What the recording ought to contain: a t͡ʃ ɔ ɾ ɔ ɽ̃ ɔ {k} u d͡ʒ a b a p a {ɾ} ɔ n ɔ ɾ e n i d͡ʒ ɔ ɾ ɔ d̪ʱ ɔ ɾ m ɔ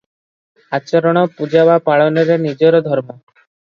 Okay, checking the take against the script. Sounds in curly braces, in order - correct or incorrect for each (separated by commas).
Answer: incorrect, incorrect